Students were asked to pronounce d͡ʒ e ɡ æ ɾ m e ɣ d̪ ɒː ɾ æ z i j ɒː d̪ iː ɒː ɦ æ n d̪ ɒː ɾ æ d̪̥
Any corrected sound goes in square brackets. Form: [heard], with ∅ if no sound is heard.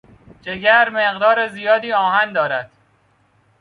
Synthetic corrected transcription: d͡ʒ e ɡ æ ɾ m e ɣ d̪ ɒː ɾ [e] z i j ɒː d̪ iː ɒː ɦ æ n d̪ ɒː ɾ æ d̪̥